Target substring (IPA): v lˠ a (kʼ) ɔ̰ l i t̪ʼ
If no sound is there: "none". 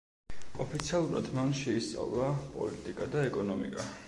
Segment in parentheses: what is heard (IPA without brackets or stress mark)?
pʼ